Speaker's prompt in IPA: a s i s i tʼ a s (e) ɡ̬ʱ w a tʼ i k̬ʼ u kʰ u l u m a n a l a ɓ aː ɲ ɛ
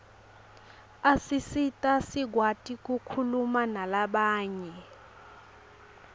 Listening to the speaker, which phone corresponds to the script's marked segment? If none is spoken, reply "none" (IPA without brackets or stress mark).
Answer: i